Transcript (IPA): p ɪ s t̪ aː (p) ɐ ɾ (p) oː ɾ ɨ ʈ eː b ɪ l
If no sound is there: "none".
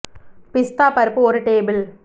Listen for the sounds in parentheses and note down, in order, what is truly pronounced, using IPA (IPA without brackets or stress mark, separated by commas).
p, p